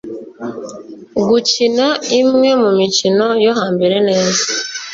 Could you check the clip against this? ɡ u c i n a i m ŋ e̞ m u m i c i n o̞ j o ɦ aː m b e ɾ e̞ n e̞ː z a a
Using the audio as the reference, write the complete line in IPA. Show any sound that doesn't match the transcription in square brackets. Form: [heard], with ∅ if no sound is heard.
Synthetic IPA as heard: ɡ u c i n a i m ŋ e̞ m u m i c i n o̞ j o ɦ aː m b e ɾ e̞ n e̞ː z a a